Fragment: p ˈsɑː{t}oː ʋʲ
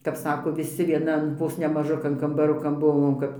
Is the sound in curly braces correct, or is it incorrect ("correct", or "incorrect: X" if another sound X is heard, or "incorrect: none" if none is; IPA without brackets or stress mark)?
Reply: incorrect: k